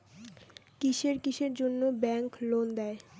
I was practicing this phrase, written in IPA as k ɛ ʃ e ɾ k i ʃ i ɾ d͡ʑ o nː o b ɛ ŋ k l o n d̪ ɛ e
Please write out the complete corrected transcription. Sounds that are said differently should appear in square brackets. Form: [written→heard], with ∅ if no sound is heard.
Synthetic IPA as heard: k [ɛ→i] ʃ e ɾ k i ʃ [i→e] ɾ d͡ʑ o nː o b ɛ ŋ k l o n d̪ ɛ e